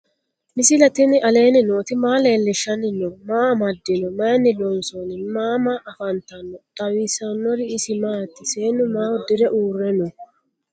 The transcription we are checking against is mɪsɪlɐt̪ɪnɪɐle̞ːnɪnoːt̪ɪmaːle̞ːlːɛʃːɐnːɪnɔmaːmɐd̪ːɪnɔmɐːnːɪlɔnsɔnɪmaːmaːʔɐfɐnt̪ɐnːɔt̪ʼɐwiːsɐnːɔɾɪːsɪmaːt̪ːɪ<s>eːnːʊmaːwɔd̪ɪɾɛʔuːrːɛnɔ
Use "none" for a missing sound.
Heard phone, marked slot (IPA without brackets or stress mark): s